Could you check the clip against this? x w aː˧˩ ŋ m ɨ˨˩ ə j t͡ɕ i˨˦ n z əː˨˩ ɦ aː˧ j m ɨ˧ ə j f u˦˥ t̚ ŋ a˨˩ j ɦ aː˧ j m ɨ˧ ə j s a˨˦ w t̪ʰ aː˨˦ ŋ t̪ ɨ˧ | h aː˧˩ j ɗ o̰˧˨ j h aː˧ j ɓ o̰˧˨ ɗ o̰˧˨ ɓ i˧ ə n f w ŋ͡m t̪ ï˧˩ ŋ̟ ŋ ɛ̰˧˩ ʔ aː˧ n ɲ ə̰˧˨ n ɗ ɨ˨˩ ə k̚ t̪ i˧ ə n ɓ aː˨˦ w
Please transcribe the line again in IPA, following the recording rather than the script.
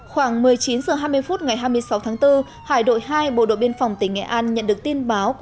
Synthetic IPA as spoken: x w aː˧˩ ŋ m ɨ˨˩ ə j t͡ɕ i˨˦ n z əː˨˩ ɦ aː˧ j m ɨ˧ ə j f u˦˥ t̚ ŋ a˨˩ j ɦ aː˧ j m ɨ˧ ə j s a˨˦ w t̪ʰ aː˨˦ ŋ t̪ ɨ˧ | h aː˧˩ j ɗ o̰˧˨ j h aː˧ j ɓ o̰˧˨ ɗ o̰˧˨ ɓ i˧ ə n f w ŋ͡m t̪ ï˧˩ ŋ̟ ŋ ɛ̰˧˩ ʔ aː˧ n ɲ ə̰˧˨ n ɗ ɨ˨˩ ə k̚ t̪ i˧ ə n ɓ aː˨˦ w

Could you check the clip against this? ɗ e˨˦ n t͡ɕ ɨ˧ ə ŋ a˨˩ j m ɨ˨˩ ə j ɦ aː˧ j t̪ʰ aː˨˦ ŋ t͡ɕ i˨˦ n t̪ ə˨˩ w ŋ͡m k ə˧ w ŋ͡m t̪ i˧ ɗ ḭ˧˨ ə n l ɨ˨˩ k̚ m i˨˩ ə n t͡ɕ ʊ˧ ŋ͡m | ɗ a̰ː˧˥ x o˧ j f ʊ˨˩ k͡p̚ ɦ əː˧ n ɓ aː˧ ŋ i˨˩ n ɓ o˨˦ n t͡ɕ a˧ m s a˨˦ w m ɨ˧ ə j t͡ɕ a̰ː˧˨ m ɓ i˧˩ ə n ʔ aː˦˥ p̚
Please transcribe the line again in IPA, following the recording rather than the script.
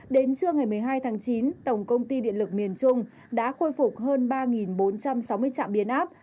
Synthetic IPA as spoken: ɗ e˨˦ n t͡ɕ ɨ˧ ə ŋ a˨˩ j m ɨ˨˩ ə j ɦ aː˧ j t̪ʰ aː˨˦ ŋ t͡ɕ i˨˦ n t̪ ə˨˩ w ŋ͡m k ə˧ w ŋ͡m t̪ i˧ ɗ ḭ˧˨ ə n l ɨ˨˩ k̚ m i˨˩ ə n t͡ɕ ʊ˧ ŋ͡m | ɗ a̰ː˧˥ x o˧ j f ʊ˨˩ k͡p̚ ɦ əː˧ n ɓ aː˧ ŋ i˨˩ n ɓ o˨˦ n t͡ɕ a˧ m s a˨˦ w m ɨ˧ ə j t͡ɕ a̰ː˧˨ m ɓ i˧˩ ə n ʔ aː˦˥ p̚

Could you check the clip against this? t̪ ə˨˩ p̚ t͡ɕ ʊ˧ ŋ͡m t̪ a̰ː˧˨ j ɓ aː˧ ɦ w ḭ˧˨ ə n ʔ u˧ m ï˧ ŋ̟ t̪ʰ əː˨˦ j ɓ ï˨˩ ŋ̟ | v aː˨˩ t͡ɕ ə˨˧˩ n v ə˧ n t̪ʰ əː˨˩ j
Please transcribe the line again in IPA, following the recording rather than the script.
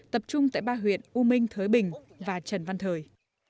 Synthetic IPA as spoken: t̪ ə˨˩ p̚ t͡ɕ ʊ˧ ŋ͡m t̪ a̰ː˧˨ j ɓ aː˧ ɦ w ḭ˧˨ ə n ʔ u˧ m ï˧ ŋ̟ t̪ʰ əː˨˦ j ɓ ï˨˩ ŋ̟ | v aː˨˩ t͡ɕ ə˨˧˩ n v a˧ n t̪ʰ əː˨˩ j

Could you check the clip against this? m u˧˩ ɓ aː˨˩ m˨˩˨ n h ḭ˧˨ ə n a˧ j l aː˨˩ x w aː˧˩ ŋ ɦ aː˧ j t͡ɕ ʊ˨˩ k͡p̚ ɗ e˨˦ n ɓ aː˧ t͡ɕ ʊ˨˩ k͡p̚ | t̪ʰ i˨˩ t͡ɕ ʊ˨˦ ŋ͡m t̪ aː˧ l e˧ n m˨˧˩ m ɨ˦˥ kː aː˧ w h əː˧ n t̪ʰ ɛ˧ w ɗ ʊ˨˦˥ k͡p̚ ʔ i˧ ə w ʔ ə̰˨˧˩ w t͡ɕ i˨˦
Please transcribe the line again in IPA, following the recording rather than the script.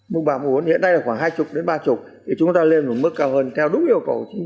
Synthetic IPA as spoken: m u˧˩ ɓ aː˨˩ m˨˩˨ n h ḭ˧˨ ə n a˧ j l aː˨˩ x w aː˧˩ ŋ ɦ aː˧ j t͡ɕ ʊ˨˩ k͡p̚ ɗ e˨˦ n ɓ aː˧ t͡ɕ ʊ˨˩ k͡p̚ | t̪ʰ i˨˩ t͡ɕ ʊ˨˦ ŋ͡m t̪ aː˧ l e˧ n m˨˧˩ m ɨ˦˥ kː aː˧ w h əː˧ n t̪ʰ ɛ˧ w ɗ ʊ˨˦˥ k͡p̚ ʔ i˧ ə w k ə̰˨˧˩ w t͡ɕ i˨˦

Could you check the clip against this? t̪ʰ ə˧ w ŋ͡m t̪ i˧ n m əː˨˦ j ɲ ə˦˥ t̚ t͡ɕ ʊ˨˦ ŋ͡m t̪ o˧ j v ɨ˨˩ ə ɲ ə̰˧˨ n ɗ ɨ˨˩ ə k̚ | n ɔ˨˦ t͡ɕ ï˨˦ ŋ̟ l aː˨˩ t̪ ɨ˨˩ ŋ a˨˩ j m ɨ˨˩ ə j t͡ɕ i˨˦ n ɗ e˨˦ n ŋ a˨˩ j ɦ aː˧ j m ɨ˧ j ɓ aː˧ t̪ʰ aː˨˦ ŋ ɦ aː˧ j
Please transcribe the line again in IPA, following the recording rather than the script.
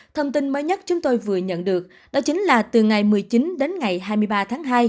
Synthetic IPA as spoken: t̪ʰ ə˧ w ŋ͡m t̪ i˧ n m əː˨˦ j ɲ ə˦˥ t̚ t͡ɕ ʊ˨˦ ŋ͡m t̪ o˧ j v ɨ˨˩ ə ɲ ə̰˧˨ n ɗ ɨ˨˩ ə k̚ | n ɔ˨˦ t͡ɕ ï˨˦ ŋ̟ l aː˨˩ t̪ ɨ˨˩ ŋ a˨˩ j m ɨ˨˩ ə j t͡ɕ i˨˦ n ɗ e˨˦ n ŋ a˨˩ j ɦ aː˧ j m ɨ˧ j ɓ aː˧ t̪ʰ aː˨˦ ŋ ɦ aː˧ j

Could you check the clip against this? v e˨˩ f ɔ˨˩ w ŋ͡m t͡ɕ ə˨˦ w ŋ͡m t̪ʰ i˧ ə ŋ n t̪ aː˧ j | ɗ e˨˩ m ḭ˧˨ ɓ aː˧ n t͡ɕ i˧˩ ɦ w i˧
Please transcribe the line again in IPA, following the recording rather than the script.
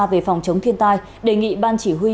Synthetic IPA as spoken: v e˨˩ f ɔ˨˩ w ŋ͡m t͡ɕ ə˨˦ w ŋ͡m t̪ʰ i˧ ə n t̪ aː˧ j | ɗ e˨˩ ŋ ḭ˧˨ ɓ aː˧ n t͡ɕ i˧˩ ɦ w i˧

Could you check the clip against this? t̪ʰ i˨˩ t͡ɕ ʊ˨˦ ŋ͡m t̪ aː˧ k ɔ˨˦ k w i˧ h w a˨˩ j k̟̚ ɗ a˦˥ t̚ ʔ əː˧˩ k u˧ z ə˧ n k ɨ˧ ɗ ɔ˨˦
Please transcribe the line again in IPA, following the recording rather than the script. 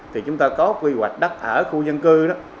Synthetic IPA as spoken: t̪ʰ i˨˩ t͡ɕ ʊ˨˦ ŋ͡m t̪ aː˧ k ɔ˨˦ k w i˧ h w a˨˩ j k̟̚ ɗ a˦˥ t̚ ʔ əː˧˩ x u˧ z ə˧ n k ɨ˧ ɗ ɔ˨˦

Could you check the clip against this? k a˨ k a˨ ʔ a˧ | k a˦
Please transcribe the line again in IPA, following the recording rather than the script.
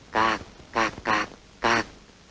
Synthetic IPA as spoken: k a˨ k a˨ k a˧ | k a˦

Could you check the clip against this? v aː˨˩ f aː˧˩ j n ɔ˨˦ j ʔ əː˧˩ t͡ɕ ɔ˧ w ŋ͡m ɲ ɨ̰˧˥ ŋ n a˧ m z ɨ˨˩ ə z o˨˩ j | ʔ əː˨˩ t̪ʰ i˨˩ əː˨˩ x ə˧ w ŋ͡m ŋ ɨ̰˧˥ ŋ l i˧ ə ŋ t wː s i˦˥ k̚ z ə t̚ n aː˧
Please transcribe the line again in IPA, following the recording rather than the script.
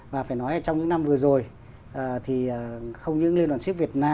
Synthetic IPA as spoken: v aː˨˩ f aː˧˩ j n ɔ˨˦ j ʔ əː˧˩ t͡ɕ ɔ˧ w ŋ͡m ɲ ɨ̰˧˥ ŋ n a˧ m v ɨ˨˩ ə z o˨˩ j | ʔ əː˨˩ t̪ʰ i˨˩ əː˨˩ x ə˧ w ŋ͡m ɲ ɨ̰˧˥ ŋ l i˧ ə n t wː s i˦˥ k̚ v ə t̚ n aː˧

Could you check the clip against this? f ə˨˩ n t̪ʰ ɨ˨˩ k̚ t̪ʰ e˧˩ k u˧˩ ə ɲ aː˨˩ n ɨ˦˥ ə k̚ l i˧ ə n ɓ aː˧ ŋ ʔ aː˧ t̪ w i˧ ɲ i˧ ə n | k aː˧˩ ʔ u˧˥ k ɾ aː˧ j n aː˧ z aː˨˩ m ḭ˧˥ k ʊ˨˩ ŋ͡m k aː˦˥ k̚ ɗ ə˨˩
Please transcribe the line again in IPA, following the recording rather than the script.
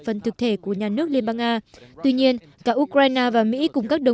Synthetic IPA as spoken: f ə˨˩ n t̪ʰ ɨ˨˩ k̚ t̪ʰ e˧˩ k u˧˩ ə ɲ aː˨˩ n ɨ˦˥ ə k̚ l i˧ ə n ɓ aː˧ ŋ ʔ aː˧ t̪ w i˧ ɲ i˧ ə n | k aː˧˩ ʔ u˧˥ k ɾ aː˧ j n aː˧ v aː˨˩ m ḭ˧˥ k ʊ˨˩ ŋ͡m k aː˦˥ k̚ ɗ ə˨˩

